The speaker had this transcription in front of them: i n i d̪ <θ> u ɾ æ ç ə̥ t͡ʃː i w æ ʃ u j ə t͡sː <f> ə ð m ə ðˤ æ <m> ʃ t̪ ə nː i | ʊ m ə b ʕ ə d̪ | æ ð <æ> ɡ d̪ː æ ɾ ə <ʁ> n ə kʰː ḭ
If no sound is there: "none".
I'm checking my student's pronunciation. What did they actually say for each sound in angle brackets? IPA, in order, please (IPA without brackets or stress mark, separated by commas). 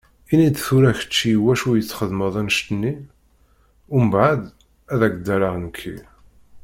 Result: θ, χ, n, æ, ʁ